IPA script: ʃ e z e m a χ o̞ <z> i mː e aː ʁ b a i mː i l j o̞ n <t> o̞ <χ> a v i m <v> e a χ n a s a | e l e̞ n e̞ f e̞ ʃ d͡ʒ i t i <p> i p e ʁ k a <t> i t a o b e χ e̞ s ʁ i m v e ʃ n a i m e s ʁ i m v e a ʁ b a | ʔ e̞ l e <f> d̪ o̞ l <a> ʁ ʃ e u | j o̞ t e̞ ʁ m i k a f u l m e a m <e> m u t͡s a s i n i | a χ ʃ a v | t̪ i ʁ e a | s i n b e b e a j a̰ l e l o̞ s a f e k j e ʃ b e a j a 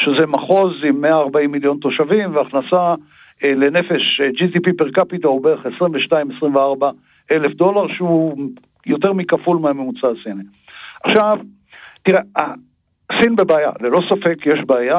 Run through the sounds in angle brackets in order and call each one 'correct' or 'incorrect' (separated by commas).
correct, correct, incorrect, correct, correct, incorrect, correct, correct, correct